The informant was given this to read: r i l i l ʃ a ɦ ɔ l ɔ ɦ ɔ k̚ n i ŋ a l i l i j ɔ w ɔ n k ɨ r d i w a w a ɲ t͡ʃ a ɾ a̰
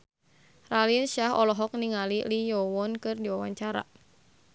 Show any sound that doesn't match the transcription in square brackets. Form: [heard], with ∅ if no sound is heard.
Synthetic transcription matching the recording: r [a] l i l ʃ a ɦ ɔ l ɔ ɦ ɔ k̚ n i ŋ a l i l i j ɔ w ɔ n k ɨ r d i w a w a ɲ t͡ʃ a ɾ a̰